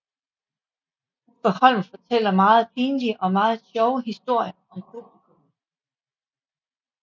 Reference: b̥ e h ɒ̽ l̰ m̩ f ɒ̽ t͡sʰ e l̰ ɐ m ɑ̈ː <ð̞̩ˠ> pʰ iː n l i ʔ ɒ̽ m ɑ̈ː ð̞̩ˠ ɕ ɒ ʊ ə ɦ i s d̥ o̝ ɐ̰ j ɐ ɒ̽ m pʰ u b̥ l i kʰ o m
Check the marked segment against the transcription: correct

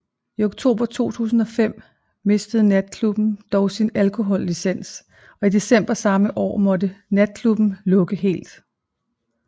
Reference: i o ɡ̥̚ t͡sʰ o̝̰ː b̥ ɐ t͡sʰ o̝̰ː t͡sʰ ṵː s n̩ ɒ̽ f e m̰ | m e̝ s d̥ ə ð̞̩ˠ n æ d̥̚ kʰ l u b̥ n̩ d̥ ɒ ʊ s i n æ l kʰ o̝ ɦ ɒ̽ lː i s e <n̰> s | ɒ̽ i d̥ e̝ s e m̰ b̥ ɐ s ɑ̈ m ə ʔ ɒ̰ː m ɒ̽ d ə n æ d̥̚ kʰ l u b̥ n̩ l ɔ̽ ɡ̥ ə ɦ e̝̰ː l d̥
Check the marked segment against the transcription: correct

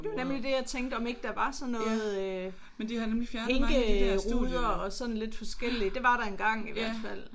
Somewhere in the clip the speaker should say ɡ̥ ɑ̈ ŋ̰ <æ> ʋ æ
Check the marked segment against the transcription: incorrect: i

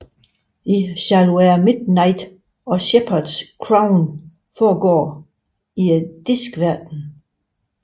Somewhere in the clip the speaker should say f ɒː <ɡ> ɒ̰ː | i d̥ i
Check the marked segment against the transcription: correct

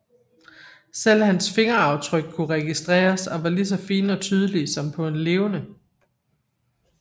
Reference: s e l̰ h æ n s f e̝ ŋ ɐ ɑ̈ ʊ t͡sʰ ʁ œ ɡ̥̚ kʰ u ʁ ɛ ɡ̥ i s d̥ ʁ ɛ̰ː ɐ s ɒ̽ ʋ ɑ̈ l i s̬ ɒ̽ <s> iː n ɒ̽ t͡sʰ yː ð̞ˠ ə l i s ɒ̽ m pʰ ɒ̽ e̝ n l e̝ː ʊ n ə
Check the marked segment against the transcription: incorrect: f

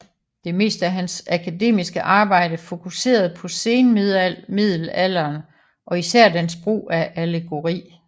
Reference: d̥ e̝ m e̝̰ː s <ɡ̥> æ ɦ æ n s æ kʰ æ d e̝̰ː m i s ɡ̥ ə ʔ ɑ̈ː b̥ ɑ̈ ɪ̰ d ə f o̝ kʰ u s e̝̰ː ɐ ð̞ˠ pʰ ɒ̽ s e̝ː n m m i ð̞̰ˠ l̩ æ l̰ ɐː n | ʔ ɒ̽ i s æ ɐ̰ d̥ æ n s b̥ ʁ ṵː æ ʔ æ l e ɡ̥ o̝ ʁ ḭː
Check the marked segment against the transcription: incorrect: d̥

